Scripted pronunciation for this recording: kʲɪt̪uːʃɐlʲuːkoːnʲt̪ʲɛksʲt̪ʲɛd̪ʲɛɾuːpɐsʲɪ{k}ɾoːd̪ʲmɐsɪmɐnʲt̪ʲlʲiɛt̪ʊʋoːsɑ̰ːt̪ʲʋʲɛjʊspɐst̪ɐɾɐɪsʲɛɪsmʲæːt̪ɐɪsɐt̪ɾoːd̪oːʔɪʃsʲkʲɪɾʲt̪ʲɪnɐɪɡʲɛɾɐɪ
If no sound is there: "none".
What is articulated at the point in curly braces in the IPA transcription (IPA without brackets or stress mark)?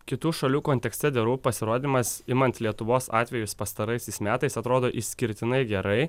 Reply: none